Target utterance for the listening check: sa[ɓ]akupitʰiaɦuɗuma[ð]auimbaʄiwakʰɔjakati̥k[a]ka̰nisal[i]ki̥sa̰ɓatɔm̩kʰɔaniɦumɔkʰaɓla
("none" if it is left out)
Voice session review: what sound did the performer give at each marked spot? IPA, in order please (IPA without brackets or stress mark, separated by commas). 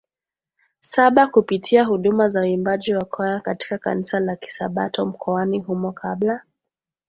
ɓ, z, a, a